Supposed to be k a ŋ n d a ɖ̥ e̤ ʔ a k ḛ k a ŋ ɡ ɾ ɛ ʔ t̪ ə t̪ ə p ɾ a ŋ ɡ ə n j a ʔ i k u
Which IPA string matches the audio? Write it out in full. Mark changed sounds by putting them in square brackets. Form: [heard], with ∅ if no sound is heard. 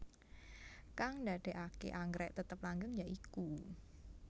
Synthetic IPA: k a ŋ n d a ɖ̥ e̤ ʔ a k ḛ [ʔ] a ŋ ɡ ɾ ɛ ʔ t̪ ə t̪ ə p [l] a ŋ ɡ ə [ŋ] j a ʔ i k u